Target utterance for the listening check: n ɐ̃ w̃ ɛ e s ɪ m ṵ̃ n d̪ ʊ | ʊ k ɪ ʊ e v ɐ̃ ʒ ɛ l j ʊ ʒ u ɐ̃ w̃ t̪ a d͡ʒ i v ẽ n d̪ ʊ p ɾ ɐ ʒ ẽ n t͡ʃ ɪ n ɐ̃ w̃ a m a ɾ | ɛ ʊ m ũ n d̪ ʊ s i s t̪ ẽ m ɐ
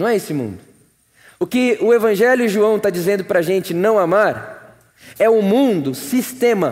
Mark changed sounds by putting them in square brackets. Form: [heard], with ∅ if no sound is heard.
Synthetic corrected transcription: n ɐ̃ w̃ ɛ e s ɪ m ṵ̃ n d̪ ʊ | ʊ k ɪ ʊ e v ɐ̃ ʒ ɛ l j ʊ ʒ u ɐ̃ w̃ t̪ a d͡ʒ i [z] ẽ n d̪ ʊ p ɾ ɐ ʒ ẽ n t͡ʃ ɪ n ɐ̃ w̃ a m a ɾ | ɛ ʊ m ũ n d̪ ʊ s i s t̪ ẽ m ɐ